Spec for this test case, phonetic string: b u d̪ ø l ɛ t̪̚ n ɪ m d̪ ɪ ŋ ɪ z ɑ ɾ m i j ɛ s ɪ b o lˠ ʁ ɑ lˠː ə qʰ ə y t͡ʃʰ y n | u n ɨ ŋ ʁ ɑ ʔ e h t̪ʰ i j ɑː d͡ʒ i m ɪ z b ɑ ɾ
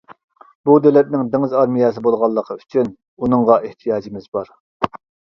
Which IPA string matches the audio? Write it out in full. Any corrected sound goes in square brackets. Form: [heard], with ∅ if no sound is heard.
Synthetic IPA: b u d̪ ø l ɛ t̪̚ n ɪ [ŋ] d̪ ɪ ŋ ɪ z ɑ ɾ m i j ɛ s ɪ b o lˠ ʁ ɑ lˠː ə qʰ ə y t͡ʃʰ y n | u n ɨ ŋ ʁ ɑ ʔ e h t̪ʰ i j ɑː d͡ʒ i m ɪ z b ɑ ɾ

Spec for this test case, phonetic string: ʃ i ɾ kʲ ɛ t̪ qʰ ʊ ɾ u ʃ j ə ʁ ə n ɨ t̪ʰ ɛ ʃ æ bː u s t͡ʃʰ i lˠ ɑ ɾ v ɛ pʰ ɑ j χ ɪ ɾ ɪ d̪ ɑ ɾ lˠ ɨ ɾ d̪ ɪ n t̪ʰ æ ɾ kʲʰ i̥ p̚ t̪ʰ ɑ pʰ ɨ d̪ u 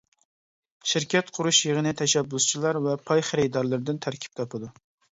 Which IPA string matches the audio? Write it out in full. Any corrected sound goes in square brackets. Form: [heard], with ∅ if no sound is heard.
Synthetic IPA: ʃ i ɾ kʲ ɛ t̪ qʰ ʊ ɾ u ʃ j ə ʁ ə n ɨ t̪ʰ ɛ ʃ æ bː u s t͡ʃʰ i lˠ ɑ ɾ v ɛ pʰ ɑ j χ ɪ ɾ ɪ d̪ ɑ ɾ lˠ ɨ ɾ d̪ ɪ n t̪ʰ æ ɾ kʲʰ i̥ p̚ t̪ʰ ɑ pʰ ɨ d̪ u

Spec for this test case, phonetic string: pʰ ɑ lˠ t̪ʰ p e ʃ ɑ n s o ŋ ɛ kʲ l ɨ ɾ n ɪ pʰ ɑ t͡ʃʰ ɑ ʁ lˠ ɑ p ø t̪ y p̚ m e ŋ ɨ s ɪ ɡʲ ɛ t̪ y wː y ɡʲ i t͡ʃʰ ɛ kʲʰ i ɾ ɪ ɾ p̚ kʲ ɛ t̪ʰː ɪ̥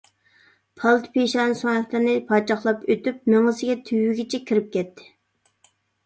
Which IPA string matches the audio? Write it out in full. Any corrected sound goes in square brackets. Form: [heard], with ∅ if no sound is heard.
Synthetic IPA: pʰ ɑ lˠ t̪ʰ p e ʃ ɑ n s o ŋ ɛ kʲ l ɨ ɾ n ɪ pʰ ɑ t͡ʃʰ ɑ [χ] lˠ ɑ p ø t̪ y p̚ m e ŋ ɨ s ɪ ɡʲ ɛ [t̪ʰ] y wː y ɡʲ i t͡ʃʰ ɛ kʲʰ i ɾ ɪ [∅] p̚ kʲ ɛ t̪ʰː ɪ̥

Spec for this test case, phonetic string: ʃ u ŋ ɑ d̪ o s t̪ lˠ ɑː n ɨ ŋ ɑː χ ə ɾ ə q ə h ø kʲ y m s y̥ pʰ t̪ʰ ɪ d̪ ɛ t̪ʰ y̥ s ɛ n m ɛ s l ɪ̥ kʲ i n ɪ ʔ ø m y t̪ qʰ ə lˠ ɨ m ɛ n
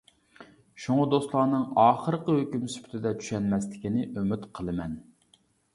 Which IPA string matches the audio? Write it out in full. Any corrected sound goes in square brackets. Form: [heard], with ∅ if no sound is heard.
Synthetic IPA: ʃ u ŋ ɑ d̪ o s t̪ lˠ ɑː n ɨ ŋ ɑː χ ə ɾ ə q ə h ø kʲ y m s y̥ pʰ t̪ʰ ɪ d̪ ɛ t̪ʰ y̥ [ʃ] ɛ n m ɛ s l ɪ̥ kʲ i n ɪ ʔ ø m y t̪ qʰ ə lˠ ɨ m ɛ n

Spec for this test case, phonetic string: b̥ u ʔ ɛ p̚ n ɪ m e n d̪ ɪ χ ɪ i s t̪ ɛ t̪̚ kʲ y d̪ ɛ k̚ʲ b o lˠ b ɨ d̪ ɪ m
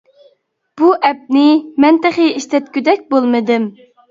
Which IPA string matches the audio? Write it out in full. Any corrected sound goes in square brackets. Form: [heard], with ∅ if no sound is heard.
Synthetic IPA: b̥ u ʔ ɛ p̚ n ɪ m [ɛ] n [t̪] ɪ χ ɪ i [ʃ] t̪ ɛ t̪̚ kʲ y d̪ ɛ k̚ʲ b o lˠ [m] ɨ d̪ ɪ m

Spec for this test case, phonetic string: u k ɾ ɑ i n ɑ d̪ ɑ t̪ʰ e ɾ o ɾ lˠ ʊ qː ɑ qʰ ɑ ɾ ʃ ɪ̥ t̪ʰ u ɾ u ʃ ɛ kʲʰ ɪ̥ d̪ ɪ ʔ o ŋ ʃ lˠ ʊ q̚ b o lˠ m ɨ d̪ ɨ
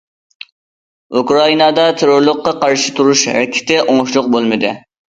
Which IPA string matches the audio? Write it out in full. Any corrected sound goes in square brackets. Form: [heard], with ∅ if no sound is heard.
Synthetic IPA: u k ɾ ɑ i n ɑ d̪ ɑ t̪ʰ e ɾ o ɾ lˠ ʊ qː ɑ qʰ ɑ ɾ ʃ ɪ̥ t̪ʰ u ɾ u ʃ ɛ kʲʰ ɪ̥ [t̪] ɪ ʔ o ŋ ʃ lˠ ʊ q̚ b o lˠ m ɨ d̪ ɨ

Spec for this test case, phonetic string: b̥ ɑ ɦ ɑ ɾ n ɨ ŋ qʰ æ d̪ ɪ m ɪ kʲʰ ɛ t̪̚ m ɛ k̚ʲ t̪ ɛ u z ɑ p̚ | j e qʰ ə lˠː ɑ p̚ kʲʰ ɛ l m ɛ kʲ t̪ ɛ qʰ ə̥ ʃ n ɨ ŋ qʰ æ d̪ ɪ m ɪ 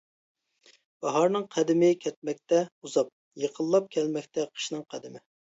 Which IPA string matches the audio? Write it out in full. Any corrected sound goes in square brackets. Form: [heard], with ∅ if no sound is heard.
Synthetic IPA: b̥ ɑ ɦ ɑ ɾ n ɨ ŋ qʰ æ d̪ ɪ m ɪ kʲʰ ɛ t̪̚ m ɛ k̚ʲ t̪ ɛ u z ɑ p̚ | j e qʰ ə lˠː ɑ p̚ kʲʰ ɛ l m ɛ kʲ t̪ ɛ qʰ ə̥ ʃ n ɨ ŋ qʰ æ d̪ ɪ m ɪ

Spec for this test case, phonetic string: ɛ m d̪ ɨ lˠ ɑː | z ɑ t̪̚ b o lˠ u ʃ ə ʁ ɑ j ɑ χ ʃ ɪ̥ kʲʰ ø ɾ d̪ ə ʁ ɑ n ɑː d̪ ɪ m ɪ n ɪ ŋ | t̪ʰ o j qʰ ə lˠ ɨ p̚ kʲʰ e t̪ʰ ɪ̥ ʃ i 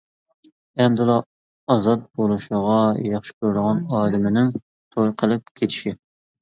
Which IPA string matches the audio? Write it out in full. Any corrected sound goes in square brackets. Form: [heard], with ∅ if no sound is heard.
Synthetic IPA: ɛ m d̪ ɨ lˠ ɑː | z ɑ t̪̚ b o lˠ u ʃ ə ʁ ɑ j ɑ χ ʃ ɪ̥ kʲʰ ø ɾ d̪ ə ʁ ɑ n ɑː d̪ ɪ m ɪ n ɪ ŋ | t̪ʰ o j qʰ ə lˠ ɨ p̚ kʲʰ e t̪ʰ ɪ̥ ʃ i

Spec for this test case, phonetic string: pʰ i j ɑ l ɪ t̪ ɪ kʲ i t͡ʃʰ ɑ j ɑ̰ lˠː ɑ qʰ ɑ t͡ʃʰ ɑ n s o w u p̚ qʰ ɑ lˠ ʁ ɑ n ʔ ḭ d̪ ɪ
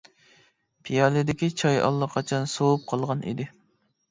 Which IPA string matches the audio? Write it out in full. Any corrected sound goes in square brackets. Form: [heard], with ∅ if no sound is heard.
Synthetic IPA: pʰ i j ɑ l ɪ [d̪] ɪ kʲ i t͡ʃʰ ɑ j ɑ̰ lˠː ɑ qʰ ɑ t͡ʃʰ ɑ n s o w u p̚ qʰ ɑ lˠ ʁ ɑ n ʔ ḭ d̪ ɪ

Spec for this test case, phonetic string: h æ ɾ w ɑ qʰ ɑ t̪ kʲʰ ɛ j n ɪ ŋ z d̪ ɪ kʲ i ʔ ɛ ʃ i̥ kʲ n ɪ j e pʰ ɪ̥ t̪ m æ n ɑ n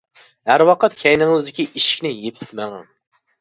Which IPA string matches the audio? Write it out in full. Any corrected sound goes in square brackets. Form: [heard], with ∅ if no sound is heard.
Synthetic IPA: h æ ɾ w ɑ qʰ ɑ t̪ kʲʰ ɛ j n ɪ ŋ z d̪ ɪ kʲ i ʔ [i] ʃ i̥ kʲ n ɪ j e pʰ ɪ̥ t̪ m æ [ŋ] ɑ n

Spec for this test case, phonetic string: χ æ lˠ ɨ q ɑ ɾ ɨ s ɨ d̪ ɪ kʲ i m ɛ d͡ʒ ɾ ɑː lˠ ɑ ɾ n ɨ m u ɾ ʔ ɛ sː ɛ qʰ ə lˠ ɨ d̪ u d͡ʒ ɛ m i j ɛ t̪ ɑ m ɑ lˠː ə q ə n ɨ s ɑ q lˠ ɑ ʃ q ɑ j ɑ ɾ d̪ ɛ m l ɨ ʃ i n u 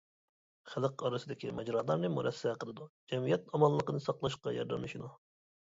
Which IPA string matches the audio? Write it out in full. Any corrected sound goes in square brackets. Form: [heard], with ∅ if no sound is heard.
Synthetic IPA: χ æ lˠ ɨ q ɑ ɾ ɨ s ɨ d̪ ɪ kʲ i m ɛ d͡ʒ ɾ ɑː lˠ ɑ ɾ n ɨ m u ɾ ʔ ɛ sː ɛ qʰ ə lˠ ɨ d̪ u d͡ʒ ɛ m i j ɛ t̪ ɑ m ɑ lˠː ə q ə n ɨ s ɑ q lˠ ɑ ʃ q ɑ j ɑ ɾ d̪ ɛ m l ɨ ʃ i n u

